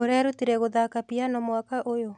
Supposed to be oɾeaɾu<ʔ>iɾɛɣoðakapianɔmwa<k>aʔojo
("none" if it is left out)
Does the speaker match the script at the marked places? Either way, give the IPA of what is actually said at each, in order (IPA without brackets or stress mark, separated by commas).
t, k